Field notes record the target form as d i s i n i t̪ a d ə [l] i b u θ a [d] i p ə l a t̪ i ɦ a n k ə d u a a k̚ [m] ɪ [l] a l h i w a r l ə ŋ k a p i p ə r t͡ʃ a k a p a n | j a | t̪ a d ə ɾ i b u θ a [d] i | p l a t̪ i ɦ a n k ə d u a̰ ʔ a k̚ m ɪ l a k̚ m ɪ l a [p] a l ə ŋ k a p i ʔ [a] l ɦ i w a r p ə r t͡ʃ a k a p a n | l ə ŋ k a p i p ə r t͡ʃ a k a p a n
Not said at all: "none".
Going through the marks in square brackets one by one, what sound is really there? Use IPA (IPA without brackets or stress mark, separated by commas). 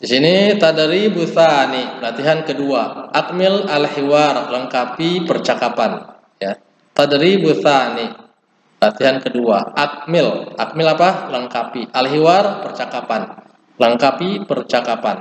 ɾ, n, m, l, n, p, a